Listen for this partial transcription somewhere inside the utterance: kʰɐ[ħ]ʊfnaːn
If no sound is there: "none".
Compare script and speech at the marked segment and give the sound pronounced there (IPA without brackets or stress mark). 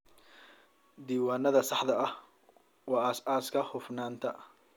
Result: h